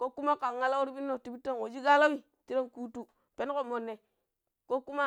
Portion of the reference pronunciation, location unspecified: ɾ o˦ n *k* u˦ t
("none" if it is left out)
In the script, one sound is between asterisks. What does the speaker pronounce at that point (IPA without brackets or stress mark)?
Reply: k